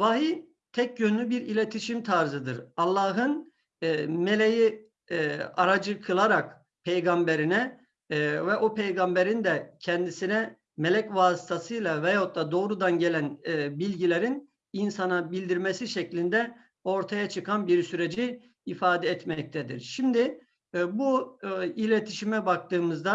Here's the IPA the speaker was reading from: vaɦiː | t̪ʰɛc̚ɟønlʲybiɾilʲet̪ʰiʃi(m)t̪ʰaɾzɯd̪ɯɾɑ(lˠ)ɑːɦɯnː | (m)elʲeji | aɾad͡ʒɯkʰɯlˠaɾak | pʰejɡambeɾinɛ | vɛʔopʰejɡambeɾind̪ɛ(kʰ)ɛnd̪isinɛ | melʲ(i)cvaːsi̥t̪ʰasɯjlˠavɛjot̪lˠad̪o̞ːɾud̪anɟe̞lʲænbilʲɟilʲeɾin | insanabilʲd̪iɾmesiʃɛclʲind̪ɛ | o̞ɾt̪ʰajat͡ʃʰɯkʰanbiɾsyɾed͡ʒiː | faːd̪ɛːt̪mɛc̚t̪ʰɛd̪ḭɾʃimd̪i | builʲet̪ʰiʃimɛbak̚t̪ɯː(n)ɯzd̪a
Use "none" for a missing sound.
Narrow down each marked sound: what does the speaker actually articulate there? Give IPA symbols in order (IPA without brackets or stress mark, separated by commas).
m, lˠː, m, cʰ, ɛ, m